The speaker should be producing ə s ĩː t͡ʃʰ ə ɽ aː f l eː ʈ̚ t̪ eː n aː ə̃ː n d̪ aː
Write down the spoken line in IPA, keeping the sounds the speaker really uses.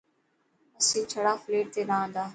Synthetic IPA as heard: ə s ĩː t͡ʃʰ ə ɽ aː f l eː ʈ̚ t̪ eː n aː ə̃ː n d̪ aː